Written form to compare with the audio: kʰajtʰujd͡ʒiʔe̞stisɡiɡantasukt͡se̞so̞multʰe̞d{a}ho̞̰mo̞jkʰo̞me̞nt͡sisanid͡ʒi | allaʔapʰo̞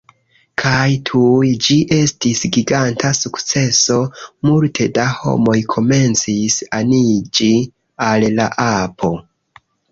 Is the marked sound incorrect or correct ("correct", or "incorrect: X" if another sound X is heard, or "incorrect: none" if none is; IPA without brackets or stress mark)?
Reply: correct